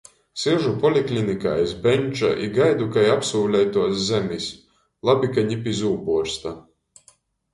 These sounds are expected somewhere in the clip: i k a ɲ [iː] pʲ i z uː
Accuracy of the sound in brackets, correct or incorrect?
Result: incorrect